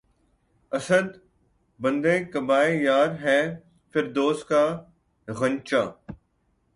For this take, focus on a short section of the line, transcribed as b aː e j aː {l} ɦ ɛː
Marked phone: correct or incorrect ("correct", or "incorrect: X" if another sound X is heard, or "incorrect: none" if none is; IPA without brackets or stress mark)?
incorrect: ɾ